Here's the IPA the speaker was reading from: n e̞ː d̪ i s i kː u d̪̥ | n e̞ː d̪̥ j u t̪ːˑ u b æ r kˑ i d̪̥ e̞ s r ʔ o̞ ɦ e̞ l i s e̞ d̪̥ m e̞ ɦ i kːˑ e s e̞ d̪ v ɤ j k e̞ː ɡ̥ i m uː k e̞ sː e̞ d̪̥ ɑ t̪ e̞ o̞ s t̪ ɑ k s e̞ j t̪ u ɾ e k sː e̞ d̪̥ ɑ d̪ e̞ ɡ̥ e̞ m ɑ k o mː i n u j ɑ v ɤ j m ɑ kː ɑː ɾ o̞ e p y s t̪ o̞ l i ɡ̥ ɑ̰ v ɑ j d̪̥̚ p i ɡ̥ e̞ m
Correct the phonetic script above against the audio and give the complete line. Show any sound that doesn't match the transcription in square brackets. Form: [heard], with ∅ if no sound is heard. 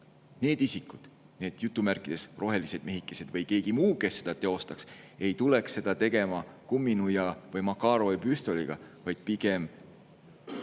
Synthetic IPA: n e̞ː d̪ i s i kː u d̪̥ | n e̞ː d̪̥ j u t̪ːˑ u [m] æ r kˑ i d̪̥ e̞ s r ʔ o̞ ɦ e̞ l i s e̞ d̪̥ m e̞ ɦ i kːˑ e s e̞ d̪ v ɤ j k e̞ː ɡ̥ i m uː k e̞ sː e̞ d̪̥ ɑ t̪ e̞ o̞ s t̪ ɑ k s e̞ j t̪ u [l] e k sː e̞ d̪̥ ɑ [t̪] e̞ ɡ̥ e̞ m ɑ k [u] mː i n u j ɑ v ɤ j m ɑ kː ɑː ɾ o̞ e p y s t̪ o̞ l i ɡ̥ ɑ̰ v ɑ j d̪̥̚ p i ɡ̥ e̞ m